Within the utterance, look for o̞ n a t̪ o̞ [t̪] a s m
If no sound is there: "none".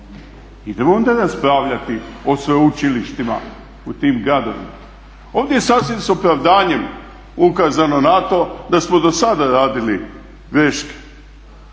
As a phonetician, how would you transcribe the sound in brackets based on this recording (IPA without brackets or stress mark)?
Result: d̪